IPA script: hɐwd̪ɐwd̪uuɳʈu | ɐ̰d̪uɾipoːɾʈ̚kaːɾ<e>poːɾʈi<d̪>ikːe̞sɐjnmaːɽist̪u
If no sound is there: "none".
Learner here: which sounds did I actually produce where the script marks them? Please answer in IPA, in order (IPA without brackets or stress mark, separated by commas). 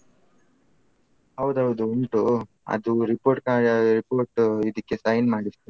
i, d̪